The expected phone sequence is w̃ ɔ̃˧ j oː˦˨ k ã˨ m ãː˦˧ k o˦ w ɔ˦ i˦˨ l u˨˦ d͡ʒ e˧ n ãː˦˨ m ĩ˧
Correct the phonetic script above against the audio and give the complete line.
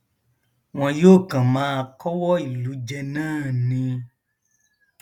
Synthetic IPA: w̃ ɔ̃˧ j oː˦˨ k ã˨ m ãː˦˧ k ɔ˦ w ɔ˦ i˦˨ l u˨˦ d͡ʒ ɛ˧ n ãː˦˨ n ĩ˧